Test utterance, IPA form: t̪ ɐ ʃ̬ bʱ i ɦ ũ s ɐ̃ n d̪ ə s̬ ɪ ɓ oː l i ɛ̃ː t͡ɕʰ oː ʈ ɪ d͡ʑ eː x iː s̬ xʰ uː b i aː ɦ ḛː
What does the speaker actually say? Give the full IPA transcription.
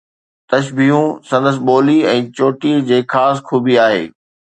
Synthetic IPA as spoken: t̪ ɐ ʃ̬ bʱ i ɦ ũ s ɐ̃ n d̪ ə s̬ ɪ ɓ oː l i ɛ̃ː t͡ɕ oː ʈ i d͡ʑ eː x aː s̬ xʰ uː b i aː ɦ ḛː